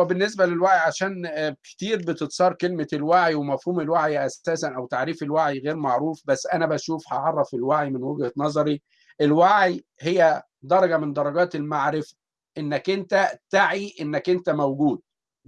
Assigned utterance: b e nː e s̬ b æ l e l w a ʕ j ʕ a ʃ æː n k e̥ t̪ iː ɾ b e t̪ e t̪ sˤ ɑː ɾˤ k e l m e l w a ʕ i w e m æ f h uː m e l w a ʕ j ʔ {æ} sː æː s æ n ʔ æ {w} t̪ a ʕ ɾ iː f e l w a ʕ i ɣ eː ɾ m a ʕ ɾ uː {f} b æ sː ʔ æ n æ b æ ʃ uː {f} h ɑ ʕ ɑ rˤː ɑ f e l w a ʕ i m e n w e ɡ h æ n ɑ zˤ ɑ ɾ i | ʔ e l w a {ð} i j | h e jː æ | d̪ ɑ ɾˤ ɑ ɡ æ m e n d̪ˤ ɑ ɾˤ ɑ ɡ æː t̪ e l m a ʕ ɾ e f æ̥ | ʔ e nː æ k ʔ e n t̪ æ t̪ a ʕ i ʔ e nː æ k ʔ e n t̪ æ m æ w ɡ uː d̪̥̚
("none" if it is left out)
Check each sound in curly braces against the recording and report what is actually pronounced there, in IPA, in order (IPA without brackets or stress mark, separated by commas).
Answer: æ, w, f, f, ʕ